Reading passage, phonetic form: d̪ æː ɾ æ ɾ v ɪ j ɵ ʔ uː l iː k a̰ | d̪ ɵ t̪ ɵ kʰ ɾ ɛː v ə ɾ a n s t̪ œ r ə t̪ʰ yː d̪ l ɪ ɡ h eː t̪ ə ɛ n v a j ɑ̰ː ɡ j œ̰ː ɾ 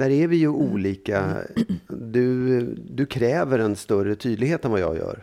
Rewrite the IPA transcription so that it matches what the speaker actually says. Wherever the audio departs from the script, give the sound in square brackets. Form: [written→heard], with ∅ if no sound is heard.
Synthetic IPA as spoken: d̪ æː ɾ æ ɾ v ɪ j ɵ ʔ uː l iː k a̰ | d̪ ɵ [t̪→d̪] ɵ kʰ ɾ ɛː v ə ɾ [a→ɛ] n s t̪ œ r ə t̪ʰ yː d̪ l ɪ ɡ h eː t̪ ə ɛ n v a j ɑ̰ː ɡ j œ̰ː ɾ